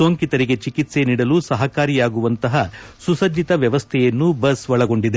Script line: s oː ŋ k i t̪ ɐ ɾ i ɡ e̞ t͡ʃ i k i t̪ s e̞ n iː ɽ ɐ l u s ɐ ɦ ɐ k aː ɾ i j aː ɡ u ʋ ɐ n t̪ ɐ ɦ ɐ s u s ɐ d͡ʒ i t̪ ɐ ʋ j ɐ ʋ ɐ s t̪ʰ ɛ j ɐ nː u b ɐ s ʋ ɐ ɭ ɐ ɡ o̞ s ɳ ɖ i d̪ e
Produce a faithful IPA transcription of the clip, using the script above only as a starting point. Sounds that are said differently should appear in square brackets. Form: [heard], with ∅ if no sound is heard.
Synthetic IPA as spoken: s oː ŋ k i t̪ ɐ ɾ i ɡ e̞ t͡ʃ i k i t̪ s e̞ n iː ɽ ɐ l u s ɐ ɦ ɐ k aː ɾ i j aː ɡ u ʋ ɐ n t̪ ɐ ɦ ɐ s u s ɐ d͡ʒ i t̪ ɐ ʋ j ɐ ʋ ɐ s t̪ʰ ɛ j ɐ nː u b ɐ s ʋ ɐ ɭ ɐ ɡ o̞ [∅] ɳ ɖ i d̪ e